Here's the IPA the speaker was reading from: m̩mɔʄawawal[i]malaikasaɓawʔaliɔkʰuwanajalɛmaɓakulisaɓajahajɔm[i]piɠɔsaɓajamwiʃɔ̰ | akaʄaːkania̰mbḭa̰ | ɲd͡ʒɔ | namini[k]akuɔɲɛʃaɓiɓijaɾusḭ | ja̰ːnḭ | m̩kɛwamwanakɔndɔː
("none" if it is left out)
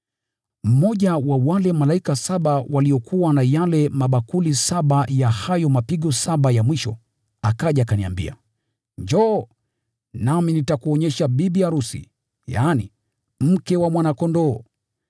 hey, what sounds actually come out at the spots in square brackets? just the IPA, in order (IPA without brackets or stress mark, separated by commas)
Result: ɛ, a, t